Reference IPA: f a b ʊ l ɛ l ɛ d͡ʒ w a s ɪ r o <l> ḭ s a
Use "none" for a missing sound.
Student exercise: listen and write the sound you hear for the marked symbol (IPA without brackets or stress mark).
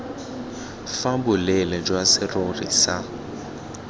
r